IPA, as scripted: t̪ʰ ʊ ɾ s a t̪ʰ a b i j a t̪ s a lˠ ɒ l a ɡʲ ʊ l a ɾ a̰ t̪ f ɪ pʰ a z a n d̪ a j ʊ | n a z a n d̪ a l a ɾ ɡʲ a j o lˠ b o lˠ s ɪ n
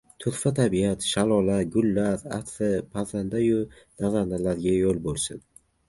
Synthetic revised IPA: t̪ʰ ʊ ɾ f a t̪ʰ a b i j a t̪ ʃ a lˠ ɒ l a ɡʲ ʊ lː a ɾ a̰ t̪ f ɪ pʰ a z a n d̪ a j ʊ | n a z a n d̪ a l a ɾ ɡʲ a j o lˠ b o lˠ s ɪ n